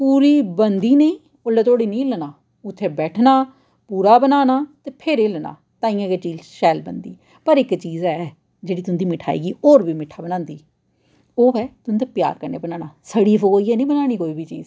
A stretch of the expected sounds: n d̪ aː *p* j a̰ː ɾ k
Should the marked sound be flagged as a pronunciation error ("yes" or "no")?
no